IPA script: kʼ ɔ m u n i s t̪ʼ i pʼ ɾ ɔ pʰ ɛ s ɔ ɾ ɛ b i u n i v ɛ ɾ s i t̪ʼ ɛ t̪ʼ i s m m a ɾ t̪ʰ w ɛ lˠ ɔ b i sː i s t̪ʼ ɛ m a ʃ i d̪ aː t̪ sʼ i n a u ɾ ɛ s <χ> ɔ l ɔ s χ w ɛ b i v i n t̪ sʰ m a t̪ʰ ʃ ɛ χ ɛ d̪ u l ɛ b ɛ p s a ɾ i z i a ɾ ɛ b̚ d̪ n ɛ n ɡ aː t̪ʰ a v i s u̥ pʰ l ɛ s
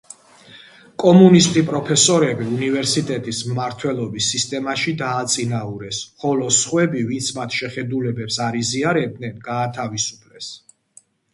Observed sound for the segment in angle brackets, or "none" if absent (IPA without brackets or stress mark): χ